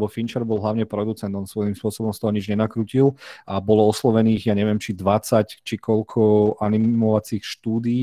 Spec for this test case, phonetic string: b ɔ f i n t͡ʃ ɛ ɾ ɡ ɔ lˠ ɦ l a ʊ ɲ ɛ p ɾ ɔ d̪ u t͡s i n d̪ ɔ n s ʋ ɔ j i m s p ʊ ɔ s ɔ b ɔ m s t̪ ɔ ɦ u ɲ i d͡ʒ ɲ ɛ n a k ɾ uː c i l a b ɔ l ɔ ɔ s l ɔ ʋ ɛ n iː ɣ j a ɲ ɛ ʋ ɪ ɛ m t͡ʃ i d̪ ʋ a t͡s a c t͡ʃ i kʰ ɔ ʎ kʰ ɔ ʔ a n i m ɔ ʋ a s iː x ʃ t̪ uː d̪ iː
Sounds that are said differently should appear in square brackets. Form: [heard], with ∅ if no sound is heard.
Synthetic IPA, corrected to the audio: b ɔ f i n t͡ʃ ɛ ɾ [b] ɔ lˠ ɦ l a ʊ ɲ ɛ p ɾ ɔ d̪ u t͡s [ɛ] n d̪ ɔ n s ʋ ɔ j i m s p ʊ ɔ s ɔ b ɔ m s t̪ ɔ ɦ [ɔ] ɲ i d͡ʒ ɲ ɛ n a k ɾ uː c i l a b ɔ l ɔ ɔ s l ɔ ʋ ɛ n iː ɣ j a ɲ ɛ ʋ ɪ ɛ m t͡ʃ i d̪ ʋ a t͡s a c t͡ʃ i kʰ ɔ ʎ kʰ ɔ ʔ a n i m ɔ ʋ a [t͡s] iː x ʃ t̪ uː d̪ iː